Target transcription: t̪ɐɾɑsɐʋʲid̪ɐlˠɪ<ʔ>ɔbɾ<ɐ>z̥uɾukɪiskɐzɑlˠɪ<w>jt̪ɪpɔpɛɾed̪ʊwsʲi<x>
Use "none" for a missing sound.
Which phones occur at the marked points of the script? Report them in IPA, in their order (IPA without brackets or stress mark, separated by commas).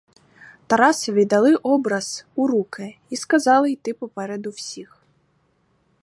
ʔ, ɐ, none, x